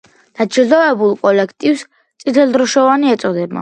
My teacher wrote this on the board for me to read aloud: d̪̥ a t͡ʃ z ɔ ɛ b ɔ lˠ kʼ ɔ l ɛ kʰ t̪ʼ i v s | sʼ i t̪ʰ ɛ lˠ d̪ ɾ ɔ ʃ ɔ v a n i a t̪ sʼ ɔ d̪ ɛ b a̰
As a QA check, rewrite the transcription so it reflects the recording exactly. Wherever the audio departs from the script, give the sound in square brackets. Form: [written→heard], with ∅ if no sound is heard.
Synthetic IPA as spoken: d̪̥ a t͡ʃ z ɔ ɛ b [ɔ→u] lˠ kʼ ɔ l ɛ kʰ t̪ʼ i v s | sʼ i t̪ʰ ɛ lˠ d̪ ɾ ɔ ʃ ɔ v a n i [a→ɛ] t̪ sʼ ɔ d̪ ɛ b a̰